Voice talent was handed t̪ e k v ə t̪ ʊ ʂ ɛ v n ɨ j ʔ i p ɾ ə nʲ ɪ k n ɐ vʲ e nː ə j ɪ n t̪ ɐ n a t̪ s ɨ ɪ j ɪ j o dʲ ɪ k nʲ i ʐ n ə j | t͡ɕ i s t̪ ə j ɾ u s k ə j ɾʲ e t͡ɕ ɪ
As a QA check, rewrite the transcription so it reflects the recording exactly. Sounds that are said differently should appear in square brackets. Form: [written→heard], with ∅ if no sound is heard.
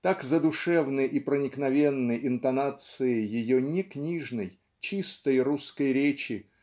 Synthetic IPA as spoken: t̪ [e→a] k [v→z] ə [t̪→d̪] ʊ ʂ ɛ v n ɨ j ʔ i p ɾ ə nʲ ɪ k n ɐ vʲ e nː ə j ɪ n t̪ ɐ n a t̪ s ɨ ɪ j ɪ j o [dʲ→nʲ] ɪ k nʲ i ʐ n ə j | t͡ɕ i s t̪ ə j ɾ u s k ə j ɾʲ e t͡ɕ ɪ